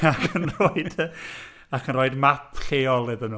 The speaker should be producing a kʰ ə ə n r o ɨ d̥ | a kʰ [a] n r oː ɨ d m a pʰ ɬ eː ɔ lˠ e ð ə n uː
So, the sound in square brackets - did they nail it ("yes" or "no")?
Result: no